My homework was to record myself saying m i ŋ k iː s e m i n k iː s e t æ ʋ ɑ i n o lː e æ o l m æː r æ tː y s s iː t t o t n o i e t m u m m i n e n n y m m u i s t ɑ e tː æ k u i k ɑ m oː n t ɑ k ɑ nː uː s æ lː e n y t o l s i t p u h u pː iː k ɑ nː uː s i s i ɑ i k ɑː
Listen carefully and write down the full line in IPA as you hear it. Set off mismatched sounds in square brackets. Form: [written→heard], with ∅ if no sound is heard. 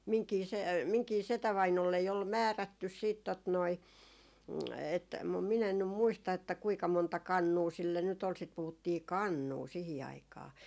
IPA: m i ŋ k iː s e m i [n→ŋ] k iː s e t æ ʋ ɑ i n o lː e [æ→i] o l m æː r æ tː y s s iː t t o t n o i e t m u m m i n e n n y m m u i s t ɑ e tː æ k u i k ɑ m [oː→o] n t ɑ k ɑ nː uː s [æ→i] lː e n y t o l s i t p u h u [pː→tː] iː k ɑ nː uː s i [s→h] i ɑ i k ɑː